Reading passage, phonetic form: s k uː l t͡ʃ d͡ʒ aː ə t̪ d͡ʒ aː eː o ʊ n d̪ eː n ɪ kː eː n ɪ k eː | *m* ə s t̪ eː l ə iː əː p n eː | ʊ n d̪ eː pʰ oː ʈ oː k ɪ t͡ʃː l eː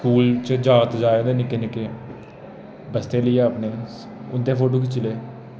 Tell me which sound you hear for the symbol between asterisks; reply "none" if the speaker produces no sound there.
b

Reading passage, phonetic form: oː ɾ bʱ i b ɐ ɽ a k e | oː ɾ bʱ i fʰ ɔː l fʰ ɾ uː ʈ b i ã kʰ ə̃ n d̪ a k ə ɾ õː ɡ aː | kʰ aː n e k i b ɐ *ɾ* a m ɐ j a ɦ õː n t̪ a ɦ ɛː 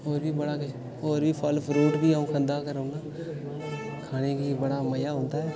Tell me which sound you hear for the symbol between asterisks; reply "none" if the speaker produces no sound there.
ɽ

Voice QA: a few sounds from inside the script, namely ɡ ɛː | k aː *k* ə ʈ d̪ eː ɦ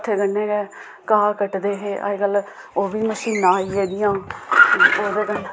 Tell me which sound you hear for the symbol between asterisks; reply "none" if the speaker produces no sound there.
k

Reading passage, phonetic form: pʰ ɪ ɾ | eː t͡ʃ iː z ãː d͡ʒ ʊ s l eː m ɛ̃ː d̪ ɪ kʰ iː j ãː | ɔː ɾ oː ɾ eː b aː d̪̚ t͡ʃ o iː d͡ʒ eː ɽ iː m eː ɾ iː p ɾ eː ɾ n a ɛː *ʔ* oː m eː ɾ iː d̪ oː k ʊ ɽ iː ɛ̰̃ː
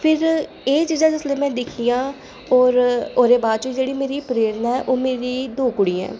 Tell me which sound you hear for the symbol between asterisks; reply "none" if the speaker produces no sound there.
ʔ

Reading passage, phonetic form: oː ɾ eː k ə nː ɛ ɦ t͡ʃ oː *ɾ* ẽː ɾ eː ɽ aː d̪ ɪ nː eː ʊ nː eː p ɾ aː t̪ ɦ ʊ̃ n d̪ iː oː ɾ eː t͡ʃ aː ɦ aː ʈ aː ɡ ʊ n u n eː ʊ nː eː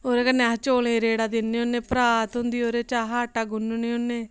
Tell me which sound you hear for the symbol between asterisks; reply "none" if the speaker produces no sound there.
l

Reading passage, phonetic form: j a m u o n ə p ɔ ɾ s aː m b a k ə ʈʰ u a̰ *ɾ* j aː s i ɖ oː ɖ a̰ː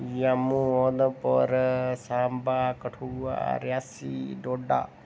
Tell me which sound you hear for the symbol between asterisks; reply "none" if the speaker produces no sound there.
ɾ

